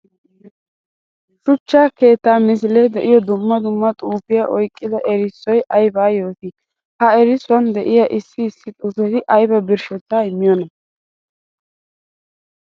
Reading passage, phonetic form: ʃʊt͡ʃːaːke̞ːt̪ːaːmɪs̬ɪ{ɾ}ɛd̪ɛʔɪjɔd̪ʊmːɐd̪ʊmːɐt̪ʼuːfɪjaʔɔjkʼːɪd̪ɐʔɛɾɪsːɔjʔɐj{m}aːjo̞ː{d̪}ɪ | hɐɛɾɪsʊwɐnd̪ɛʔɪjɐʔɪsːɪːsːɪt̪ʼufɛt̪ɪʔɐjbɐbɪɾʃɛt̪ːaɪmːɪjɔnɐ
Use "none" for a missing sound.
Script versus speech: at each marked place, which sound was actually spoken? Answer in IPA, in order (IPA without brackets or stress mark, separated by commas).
l, b, t̪